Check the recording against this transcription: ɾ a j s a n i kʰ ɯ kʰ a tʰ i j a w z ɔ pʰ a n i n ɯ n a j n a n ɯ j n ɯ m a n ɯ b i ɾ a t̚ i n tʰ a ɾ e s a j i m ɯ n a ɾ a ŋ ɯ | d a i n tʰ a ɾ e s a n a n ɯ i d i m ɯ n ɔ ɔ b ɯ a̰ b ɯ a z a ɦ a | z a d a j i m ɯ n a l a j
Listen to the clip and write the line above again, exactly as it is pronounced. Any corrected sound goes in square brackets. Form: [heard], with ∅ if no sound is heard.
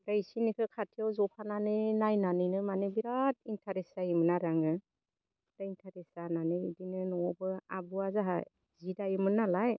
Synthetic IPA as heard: ɾ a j s [i] n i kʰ ɯ kʰ a tʰ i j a w z ɔ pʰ a n [a] n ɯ n a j n a n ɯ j n ɯ m a n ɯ b i ɾ a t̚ i n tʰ a ɾ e s a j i m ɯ n a ɾ a ŋ ɯ | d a i n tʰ a ɾ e s a n a n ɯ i d i [n] ɯ n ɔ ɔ b ɯ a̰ b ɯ a z a ɦ a | z [i] d a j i m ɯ n a l a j

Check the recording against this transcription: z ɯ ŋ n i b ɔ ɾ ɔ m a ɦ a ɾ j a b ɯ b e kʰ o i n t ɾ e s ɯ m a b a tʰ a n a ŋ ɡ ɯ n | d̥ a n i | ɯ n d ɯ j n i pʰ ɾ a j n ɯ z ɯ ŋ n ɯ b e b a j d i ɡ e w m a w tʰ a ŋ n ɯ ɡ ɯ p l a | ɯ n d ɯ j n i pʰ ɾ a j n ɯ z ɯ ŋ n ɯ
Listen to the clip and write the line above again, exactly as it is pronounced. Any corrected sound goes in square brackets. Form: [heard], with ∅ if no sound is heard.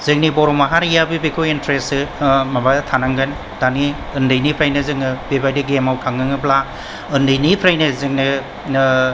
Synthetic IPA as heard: z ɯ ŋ n i b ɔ ɾ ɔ m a ɦ a ɾ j a b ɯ b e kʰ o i n t ɾ e s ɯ m a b a tʰ a n a ŋ ɡ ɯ n | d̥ a n i | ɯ n d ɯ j n i pʰ ɾ a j n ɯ z ɯ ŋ n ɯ b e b a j d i ɡ e [∅] m a w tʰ a ŋ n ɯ [ŋ] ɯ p l a | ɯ n d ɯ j n i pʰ ɾ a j n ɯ z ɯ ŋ n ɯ

